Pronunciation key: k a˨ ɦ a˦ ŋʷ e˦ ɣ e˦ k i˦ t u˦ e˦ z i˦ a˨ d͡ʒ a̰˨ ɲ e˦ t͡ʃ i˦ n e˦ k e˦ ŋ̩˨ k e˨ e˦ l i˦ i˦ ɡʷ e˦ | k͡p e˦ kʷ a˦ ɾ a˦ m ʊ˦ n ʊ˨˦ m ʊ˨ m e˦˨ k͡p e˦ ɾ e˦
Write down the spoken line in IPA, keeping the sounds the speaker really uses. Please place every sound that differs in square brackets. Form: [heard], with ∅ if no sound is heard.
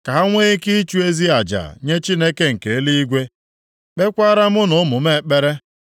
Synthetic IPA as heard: k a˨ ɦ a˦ ŋʷ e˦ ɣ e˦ k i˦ [t͡ʃ] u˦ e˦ z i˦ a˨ d͡ʒ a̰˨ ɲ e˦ t͡ʃ i˦ n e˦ k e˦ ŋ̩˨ k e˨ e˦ l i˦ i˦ ɡʷ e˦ | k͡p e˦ kʷ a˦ ɾ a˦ m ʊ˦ n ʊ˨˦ m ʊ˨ m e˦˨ k͡p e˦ ɾ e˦